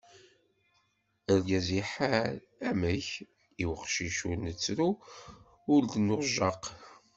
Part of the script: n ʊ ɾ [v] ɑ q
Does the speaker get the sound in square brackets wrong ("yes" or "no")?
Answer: yes